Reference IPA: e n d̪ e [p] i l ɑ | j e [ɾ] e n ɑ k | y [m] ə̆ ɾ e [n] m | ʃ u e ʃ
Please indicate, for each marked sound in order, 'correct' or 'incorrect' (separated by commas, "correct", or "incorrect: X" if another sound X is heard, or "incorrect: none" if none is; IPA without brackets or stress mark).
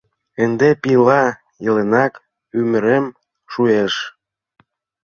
correct, incorrect: l, correct, incorrect: none